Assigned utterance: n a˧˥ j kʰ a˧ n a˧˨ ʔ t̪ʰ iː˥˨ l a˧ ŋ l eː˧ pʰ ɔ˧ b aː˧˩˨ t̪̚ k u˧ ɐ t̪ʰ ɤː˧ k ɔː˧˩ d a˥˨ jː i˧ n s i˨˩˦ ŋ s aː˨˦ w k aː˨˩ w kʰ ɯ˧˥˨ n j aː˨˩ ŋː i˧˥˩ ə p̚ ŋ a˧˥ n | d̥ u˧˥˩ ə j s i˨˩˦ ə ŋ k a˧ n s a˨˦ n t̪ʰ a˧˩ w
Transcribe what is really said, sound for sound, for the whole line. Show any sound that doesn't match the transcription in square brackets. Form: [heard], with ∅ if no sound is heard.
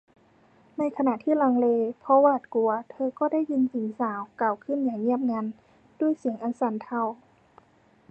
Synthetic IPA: n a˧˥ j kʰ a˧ n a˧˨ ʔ t̪ʰ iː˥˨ l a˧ ŋ l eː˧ pʰ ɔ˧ [w] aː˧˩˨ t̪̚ k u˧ ɐ t̪ʰ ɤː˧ k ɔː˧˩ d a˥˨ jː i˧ n s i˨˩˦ ŋ s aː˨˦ w k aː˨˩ w kʰ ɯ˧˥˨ n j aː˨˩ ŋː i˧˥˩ ə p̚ ŋ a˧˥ n | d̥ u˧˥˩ ə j s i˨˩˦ ə ŋ [ʔ] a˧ n s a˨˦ n t̪ʰ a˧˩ w